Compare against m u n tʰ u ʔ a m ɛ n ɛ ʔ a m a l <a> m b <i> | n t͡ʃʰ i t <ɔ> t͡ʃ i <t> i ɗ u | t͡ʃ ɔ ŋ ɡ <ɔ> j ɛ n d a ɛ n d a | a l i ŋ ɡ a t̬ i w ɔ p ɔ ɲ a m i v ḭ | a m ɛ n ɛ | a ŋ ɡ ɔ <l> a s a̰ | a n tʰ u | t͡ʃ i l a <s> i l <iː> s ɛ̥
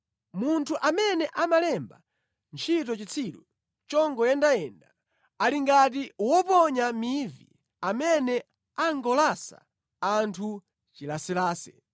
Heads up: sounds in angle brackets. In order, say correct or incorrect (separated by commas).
incorrect, incorrect, correct, incorrect, correct, correct, correct, incorrect